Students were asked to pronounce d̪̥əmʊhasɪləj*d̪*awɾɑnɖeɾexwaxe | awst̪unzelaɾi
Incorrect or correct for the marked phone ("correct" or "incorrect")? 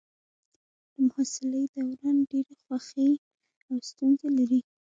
correct